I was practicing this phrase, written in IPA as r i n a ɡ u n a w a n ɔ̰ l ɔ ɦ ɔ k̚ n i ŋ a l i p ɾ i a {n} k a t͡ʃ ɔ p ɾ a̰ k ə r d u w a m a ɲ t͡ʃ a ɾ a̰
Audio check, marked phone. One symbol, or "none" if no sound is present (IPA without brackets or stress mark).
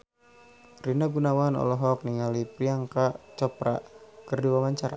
ŋ